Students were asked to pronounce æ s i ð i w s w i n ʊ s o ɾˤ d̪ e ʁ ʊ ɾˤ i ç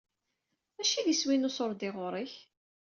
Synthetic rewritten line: æ ʃ i ð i s w i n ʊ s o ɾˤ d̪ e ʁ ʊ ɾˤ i ç